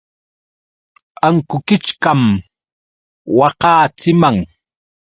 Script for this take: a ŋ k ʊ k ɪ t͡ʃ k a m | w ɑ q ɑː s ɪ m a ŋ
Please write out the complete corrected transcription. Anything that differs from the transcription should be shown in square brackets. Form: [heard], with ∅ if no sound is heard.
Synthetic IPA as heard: a ŋ k ʊ k ɪ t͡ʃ k a m | w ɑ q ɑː [t͡s] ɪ m a ŋ